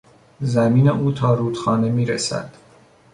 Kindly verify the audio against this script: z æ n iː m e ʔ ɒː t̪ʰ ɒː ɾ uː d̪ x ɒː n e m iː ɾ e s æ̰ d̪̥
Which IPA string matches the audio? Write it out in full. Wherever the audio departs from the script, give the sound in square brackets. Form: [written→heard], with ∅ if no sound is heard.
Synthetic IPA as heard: z æ [n→m] iː [m→n] e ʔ [ɒː→uː] t̪ʰ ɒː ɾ uː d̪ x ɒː n e m iː ɾ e s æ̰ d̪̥